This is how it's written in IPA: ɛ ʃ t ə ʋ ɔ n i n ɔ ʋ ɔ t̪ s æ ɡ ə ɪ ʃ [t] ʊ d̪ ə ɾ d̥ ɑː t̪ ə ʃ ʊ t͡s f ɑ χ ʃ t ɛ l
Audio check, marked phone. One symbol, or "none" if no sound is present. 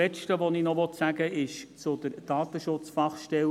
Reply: t͡s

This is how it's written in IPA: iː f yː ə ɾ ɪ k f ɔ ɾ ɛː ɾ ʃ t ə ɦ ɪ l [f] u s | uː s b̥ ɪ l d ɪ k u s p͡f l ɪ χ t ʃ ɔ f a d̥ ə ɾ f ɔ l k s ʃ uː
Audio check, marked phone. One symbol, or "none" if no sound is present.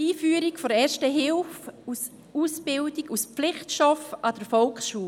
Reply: f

